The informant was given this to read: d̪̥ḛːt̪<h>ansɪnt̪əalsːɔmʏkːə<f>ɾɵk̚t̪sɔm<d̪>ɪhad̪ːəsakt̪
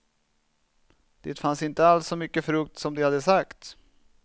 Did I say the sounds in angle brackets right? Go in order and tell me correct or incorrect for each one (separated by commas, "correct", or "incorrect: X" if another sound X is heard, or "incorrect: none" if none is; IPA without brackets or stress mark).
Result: incorrect: f, correct, correct